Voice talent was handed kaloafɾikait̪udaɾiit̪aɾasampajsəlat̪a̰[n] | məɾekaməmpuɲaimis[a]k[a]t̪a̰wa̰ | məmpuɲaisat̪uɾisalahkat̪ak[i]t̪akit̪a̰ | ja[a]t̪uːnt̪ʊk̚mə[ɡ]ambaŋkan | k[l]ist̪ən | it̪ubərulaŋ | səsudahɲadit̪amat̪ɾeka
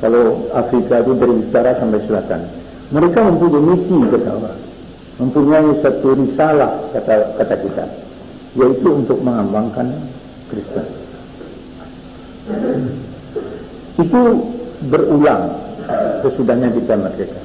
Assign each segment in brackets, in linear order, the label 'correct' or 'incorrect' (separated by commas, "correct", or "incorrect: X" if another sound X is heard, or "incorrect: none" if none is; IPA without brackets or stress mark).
correct, incorrect: i, incorrect: ə, incorrect: a, incorrect: i, incorrect: ŋ, incorrect: ɾ